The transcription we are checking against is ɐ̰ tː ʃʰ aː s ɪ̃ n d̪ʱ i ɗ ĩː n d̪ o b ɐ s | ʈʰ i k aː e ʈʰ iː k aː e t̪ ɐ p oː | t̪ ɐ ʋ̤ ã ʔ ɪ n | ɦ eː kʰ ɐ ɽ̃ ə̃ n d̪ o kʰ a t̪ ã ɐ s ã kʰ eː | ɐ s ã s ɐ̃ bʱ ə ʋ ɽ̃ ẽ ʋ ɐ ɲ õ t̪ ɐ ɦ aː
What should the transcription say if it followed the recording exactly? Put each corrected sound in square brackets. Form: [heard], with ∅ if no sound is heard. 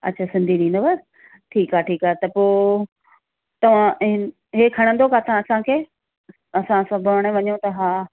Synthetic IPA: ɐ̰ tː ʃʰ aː s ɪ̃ n d̪ʱ i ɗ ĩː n d̪ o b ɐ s | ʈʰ [iː] k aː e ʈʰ iː k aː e t̪ ɐ p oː | t̪ ɐ ʋ̤ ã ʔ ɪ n | ɦ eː kʰ ɐ ɽ̃ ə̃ n d̪ o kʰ a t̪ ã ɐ s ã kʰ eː | ɐ s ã s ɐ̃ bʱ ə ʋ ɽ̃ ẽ ʋ ɐ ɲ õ t̪ ɐ ɦ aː